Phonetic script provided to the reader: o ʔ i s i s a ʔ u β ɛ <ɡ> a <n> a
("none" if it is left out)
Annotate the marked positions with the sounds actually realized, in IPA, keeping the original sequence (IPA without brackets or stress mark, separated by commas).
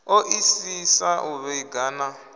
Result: ɡ, n